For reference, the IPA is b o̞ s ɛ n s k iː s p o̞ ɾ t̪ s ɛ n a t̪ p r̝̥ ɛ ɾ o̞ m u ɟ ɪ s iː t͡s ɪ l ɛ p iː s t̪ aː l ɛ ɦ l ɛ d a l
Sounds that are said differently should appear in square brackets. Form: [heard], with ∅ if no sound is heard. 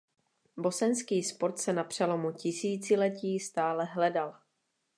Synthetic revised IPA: b o̞ s ɛ n s k iː s p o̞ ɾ t̪ s ɛ n a [∅] p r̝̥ ɛ [l] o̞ m u [c] ɪ s iː t͡s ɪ l ɛ [c] iː s t̪ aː l ɛ ɦ l ɛ d a l